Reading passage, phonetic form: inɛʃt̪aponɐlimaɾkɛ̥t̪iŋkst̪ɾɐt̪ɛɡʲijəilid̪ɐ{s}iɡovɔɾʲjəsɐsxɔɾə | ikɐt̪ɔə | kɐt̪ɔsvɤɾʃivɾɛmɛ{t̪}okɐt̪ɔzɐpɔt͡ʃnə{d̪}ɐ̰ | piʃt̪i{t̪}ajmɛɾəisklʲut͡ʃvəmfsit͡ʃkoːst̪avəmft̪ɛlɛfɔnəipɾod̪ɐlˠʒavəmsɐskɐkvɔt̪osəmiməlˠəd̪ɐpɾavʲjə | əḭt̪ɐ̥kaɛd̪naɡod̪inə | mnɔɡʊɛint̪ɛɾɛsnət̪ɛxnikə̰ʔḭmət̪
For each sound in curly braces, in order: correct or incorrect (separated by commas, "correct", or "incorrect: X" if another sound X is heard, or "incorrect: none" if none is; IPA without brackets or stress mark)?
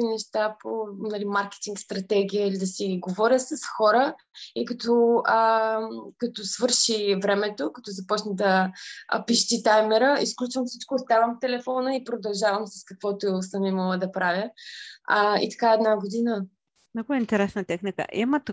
correct, correct, correct, correct